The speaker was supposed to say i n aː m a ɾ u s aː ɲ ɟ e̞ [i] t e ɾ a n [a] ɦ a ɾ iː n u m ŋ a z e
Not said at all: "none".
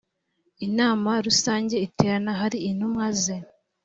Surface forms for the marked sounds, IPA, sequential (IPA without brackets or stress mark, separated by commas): i, a